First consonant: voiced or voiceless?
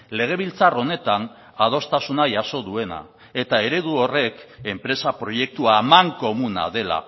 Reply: voiced